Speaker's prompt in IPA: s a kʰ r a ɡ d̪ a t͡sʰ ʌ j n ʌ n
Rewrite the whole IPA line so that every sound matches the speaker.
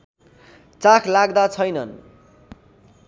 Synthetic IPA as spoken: t͡s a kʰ l a ɡ d̪ a t͡sʰ ʌ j n ʌ n